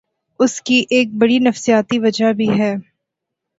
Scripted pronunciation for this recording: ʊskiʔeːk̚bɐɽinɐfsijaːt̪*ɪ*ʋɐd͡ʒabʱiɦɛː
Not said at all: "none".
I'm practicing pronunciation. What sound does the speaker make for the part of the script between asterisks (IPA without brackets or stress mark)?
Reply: i